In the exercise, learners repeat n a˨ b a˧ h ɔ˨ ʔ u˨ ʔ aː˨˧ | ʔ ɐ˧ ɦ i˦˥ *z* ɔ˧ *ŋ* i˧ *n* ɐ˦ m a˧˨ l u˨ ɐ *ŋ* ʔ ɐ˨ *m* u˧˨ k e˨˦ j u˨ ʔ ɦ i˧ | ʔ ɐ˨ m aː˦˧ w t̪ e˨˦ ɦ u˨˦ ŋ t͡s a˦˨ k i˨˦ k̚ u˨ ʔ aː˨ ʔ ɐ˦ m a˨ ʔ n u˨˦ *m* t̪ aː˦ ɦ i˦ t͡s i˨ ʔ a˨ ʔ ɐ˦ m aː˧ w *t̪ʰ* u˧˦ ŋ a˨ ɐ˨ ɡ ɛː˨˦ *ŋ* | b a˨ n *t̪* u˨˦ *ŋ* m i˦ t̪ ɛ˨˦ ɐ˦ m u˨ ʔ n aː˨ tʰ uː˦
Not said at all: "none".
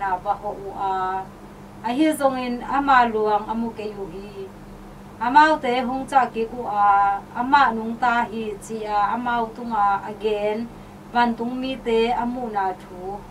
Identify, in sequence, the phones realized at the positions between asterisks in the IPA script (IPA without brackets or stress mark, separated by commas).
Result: z, ŋ, n, ŋ, m, ŋ, t̪, n, t̪, ŋ